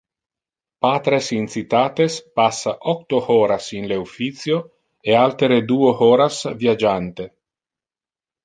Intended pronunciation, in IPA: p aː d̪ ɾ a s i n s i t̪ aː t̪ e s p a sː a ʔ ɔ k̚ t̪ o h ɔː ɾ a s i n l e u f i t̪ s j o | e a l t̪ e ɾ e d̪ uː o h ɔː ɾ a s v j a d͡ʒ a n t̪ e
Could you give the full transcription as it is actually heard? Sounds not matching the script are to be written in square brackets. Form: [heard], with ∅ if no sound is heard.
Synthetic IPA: p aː [t̪] ɾ [e] s i n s i t̪ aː t̪ e s p a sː a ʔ ɔ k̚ t̪ o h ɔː ɾ a s i n l e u f i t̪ s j o | e a l t̪ e ɾ e d̪ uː o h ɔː ɾ a s v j a d͡ʒ a n t̪ e

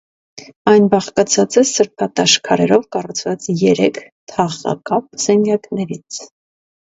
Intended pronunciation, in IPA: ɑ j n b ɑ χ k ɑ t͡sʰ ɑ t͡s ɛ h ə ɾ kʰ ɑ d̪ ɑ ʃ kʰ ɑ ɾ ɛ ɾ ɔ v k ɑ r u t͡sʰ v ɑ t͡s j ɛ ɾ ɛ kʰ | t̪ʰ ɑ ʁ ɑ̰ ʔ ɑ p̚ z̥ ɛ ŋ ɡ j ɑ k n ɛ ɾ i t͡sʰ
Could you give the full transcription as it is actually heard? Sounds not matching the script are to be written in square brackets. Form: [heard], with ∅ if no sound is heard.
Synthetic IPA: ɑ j n b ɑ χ k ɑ t͡sʰ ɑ t͡s ɛ [s] ə ɾ [pʰ] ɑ [t̪] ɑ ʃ kʰ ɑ ɾ ɛ ɾ ɔ v k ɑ r u t͡sʰ v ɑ t͡s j ɛ ɾ ɛ kʰ | t̪ʰ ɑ ʁ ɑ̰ [k] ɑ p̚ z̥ ɛ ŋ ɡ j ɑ k n ɛ ɾ i t͡sʰ

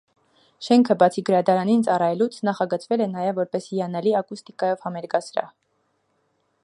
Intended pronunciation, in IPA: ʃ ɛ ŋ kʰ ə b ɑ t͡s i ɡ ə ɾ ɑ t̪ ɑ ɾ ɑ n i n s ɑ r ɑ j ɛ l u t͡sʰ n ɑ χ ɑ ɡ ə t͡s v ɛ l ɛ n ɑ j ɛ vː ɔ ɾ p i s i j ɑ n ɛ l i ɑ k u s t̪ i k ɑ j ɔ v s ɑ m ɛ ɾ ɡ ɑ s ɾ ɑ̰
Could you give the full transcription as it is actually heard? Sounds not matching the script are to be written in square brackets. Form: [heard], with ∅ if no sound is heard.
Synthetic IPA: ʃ ɛ ŋ kʰ ə b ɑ [t͡sʰ] i ɡ ə ɾ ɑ [d̪] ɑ ɾ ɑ n i n [t͡s] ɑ r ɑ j ɛ l u t͡sʰ n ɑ χ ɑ ɡ ə t͡s v ɛ l ɛ n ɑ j ɛ vː ɔ ɾ p [ɛ] s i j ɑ n ɛ l i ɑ k u s t̪ i k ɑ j ɔ v [h] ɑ m ɛ ɾ ɡ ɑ s ɾ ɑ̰

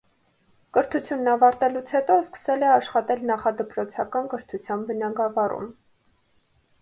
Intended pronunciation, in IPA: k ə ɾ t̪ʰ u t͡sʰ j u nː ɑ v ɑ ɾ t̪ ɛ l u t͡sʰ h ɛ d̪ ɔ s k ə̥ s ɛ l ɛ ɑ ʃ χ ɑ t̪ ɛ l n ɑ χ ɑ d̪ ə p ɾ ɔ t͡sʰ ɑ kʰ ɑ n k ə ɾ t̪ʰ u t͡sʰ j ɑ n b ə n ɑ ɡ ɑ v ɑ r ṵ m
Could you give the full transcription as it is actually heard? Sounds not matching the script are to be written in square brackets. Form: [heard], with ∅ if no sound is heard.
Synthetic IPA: k ə ɾ t̪ʰ u t͡sʰ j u nː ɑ v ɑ ɾ t̪ ɛ l u t͡sʰ h ɛ [t̪] ɔ s k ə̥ s ɛ l ɛ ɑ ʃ χ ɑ t̪ ɛ l n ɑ χ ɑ d̪ ə p ɾ ɔ t͡sʰ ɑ [k] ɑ n k ə ɾ t̪ʰ u t͡sʰ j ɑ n b ə n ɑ ɡ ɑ v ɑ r ṵ m

